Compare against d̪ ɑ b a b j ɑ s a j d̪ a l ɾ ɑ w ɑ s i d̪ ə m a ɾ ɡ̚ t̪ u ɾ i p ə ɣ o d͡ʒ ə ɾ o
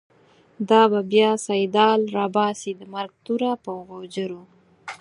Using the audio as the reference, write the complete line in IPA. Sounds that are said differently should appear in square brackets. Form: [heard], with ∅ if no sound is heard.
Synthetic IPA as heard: d̪ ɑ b a b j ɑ s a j d̪ [ɑ] l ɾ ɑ [b] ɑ s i d̪ ə m a ɾ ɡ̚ t̪ u ɾ [a] p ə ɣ o d͡ʒ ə ɾ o